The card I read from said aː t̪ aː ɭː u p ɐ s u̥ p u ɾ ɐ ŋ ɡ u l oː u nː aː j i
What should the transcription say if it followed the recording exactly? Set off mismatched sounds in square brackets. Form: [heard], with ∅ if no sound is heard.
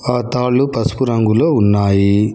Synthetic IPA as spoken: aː t̪ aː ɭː u p ɐ s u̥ p u ɾ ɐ ŋ ɡ u l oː u nː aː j i